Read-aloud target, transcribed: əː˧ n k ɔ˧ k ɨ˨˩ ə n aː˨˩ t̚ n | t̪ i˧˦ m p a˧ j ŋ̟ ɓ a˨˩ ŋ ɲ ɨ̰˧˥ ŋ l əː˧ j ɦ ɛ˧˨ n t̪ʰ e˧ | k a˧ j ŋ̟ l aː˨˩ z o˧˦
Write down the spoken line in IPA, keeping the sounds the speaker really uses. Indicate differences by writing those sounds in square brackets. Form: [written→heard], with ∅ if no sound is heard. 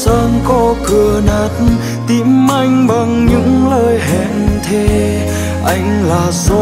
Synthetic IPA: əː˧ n k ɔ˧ k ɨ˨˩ ə n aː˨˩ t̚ n | t̪ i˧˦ m [p→ʔ] a˧ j ŋ̟ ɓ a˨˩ ŋ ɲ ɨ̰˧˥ ŋ l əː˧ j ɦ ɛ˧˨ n t̪ʰ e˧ | [k→ʔ] a˧ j ŋ̟ l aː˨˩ z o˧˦